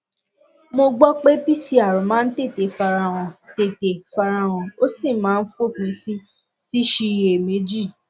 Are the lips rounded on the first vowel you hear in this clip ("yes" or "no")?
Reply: yes